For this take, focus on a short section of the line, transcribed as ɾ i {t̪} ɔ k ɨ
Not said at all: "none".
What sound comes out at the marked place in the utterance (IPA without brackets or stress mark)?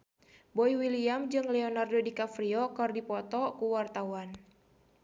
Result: none